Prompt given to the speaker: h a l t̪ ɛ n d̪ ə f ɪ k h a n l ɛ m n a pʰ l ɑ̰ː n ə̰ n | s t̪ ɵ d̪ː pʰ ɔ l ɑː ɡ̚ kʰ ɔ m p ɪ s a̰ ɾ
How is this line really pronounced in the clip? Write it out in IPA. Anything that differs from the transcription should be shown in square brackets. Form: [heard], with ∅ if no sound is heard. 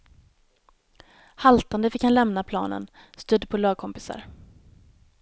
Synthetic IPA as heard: h a l t̪ [a] n d̪ ə f ɪ k h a n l ɛ m n a pʰ l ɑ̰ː n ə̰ n | s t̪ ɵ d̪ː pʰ ɔ l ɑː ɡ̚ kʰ ɔ m p ɪ s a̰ ɾ

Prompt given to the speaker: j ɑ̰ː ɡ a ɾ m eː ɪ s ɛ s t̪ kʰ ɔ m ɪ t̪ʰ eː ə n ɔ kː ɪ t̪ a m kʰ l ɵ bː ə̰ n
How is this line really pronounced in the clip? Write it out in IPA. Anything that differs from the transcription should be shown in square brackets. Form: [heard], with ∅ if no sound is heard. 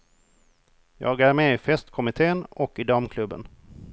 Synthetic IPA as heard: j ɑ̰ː ɡ [æ] ɾ m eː ɪ [f] ɛ s t̪ kʰ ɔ m ɪ t̪ʰ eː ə n ɔ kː ɪ [d̪] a m kʰ l ɵ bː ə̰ n

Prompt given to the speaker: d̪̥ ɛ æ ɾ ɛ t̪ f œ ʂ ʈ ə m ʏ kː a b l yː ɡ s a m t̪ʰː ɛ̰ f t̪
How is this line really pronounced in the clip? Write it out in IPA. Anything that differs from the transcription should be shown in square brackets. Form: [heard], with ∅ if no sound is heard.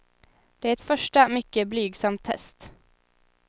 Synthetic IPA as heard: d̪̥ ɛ æ ɾ ɛ t̪ f œ ʂ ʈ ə m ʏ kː [ə] b l yː ɡ s a m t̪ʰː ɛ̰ [s] t̪

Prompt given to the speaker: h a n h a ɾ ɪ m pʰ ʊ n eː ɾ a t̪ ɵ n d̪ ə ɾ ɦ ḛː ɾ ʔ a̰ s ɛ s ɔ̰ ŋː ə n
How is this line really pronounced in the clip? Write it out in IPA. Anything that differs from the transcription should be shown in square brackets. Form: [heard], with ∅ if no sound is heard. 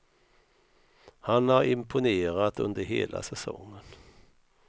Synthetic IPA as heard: h a n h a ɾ ɪ m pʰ ʊ n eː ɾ a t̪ ɵ n d̪ ə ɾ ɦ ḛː [l] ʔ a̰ s ɛ s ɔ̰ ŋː ə n

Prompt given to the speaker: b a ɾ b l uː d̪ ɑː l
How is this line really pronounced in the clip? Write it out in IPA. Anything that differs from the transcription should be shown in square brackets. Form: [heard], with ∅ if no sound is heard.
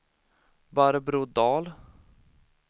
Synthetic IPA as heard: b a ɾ b [ɾ] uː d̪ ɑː l

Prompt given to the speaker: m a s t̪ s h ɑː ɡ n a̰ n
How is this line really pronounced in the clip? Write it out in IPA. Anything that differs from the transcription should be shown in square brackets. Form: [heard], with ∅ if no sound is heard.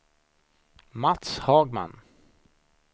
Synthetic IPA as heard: m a [∅] t̪ s h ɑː ɡ [m] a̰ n

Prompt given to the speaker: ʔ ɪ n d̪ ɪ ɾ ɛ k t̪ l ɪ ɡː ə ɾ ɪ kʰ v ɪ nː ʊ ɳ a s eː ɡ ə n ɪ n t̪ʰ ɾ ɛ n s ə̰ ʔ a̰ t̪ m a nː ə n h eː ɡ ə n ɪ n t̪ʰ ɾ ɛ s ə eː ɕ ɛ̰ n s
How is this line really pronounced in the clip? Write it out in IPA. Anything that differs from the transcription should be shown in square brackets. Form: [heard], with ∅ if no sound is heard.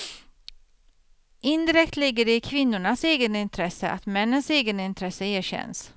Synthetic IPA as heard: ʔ ɪ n d̪ ɪ ɾ ɛ k t̪ l ɪ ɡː ə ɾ ɪ kʰ v ɪ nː ʊ ɳ a s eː ɡ ə n ɪ n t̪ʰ ɾ ɛ [∅] s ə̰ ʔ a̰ t̪ m [ɛ] nː ə n [s] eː ɡ ə n ɪ n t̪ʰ ɾ ɛ s ə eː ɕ ɛ̰ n s

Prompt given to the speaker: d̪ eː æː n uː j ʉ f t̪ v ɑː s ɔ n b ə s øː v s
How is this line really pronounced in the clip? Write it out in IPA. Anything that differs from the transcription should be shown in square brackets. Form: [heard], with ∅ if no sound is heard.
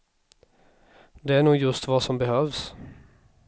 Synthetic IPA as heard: d̪ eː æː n uː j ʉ [s] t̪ [ʋ] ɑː s ɔ [m] b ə [h] øː [ʋ] s

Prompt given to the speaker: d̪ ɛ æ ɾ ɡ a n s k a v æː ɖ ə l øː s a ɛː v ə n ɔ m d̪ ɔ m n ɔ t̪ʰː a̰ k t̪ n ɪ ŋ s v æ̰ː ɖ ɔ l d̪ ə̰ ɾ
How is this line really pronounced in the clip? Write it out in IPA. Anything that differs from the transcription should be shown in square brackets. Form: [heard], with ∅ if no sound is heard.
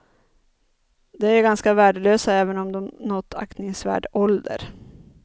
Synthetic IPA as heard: d̪ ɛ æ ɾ ɡ a n s k a v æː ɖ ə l øː s a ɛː v ə n ɔ m d̪ ɔ m n ɔ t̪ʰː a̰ k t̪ n ɪ ŋ s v æ̰ː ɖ ɔ l d̪ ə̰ ɾ

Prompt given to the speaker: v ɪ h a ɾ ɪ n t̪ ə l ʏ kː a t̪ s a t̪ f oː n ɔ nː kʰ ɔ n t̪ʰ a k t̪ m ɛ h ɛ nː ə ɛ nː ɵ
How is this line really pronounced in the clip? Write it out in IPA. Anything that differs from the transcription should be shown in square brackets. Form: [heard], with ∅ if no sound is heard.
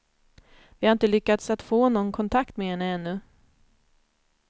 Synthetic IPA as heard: v ɪ h a ɾ ɪ n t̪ ə l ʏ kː a t̪ s a t̪ f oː n ɔ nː kʰ ɔ n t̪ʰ a k t̪ m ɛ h ɛ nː ə ɛ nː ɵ

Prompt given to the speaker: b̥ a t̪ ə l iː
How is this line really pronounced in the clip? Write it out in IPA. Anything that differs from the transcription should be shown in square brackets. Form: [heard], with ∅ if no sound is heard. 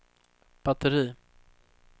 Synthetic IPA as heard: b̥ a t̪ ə [ɾ] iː

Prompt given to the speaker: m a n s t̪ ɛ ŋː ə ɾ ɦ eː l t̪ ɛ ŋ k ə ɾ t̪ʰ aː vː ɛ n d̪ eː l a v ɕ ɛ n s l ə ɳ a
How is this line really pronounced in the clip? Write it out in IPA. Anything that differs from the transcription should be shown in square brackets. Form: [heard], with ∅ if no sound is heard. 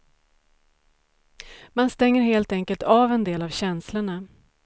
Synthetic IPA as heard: m a n s t̪ ɛ ŋː ə ɾ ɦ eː l t̪ ɛ ŋ k ə [l] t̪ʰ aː [v] ɛ n d̪ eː l a v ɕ ɛ n s l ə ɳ a

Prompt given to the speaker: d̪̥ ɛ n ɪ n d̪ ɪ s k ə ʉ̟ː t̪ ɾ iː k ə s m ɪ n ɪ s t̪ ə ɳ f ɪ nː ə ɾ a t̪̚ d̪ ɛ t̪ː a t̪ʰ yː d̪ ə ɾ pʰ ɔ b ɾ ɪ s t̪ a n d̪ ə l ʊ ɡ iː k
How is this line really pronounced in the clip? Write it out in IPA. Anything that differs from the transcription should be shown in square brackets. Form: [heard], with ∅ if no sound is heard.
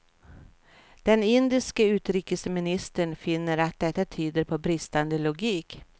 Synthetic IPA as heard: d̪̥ ɛ n ɪ n d̪ ɪ s k ə ʉ̟ː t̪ ɾ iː k ə s m ɪ n ɪ s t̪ ə ɳ f ɪ nː ə ɾ a t̪̚ d̪ ɛ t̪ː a t̪ʰ yː d̪ ə ɾ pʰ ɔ b ɾ ɪ s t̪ a n d̪ ə l ʊ ɡ iː k

